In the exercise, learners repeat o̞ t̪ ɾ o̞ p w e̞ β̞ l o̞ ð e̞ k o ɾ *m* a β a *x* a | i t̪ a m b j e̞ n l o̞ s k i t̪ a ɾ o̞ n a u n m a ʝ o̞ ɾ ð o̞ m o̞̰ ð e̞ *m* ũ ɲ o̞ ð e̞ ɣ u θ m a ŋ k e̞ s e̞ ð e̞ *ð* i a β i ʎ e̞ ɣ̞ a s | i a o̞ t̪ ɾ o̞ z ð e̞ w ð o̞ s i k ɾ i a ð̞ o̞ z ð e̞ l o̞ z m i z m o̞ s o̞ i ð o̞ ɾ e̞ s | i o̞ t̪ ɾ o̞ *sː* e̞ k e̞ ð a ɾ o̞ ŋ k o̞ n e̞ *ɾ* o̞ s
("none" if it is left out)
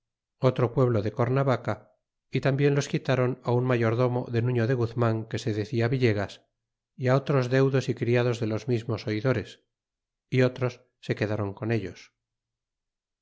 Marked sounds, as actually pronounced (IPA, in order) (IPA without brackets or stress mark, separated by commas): n, k, n, θ, sː, ʎ